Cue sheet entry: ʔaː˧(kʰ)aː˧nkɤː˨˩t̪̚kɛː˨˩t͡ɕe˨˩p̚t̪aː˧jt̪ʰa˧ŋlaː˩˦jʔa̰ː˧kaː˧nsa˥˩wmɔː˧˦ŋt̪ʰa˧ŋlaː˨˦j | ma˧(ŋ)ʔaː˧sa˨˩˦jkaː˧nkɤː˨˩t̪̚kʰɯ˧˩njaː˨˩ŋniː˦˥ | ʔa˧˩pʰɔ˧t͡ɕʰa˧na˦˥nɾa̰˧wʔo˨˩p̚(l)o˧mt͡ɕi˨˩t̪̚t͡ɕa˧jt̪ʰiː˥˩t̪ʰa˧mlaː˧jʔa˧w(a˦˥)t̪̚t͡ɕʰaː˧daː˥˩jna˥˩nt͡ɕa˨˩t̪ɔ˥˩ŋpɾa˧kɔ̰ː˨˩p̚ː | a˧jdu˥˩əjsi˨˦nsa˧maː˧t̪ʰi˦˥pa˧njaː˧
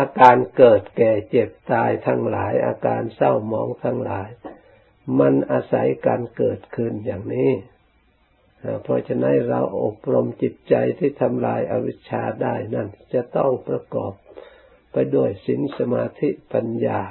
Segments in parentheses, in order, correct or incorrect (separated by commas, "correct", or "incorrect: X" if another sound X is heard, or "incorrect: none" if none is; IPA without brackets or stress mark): incorrect: k, incorrect: n, incorrect: ɾ, incorrect: i˦˥